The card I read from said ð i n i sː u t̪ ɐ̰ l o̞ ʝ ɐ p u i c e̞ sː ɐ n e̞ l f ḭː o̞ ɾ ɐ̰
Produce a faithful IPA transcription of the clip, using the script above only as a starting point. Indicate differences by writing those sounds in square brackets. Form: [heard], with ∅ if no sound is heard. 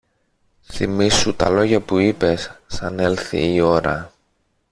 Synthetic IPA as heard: [θ] i [m] i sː u t̪ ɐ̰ l o̞ ʝ ɐ p u i [p] e̞ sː ɐ n e̞ l [θ] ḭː o̞ ɾ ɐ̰